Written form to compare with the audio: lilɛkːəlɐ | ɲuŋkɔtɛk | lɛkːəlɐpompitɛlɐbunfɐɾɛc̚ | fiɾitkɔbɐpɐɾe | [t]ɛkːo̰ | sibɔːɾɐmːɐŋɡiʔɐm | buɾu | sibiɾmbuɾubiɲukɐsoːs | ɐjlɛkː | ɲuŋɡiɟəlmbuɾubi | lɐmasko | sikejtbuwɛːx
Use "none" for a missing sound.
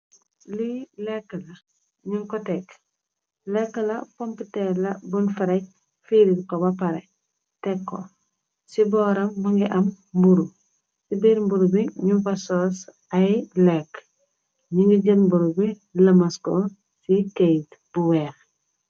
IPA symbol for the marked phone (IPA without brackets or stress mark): t